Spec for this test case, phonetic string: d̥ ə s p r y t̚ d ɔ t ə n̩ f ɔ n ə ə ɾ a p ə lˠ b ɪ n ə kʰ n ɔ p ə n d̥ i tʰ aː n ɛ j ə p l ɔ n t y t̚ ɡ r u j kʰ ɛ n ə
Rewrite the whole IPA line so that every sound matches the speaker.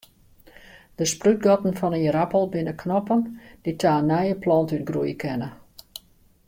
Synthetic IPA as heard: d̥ ə s p r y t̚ ɡ ɔ t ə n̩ f ɔ n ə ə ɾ a p ə lˠ b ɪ n ə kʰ n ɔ p ə n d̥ i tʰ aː n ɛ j ə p l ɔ n t y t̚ ɡ r u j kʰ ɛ n ə